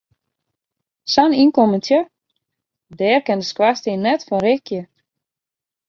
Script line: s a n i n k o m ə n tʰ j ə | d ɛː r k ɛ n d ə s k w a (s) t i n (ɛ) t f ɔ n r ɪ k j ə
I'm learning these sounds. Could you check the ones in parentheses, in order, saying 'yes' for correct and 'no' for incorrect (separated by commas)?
yes, yes